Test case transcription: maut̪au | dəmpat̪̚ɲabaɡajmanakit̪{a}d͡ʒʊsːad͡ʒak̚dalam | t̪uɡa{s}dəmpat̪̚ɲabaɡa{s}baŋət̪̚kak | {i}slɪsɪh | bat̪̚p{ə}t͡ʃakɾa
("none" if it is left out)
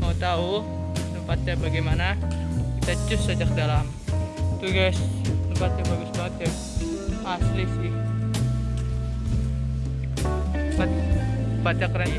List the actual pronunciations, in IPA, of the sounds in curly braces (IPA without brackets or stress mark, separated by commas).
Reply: a, s, s, a, a